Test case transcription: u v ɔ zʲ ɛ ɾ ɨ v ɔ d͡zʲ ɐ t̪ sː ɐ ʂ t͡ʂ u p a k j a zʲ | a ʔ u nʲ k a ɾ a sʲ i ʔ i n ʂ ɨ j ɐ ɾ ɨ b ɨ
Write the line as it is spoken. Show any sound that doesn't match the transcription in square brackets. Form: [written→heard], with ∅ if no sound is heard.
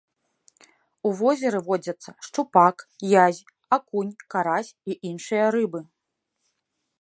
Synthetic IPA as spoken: u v ɔ zʲ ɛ ɾ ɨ v ɔ d͡zʲ ɐ t̪ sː ɐ ʂ t͡ʂ u p a k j a zʲ | a [ʔ→k] u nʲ k a ɾ a sʲ i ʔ i n ʂ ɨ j ɐ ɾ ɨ b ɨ